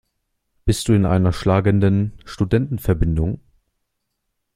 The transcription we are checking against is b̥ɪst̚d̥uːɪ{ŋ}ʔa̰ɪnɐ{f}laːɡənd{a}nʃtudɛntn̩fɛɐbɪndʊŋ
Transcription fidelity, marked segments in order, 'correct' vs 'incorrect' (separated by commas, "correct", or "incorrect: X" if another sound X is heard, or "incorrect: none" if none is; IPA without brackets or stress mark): incorrect: n, incorrect: ʃ, incorrect: ə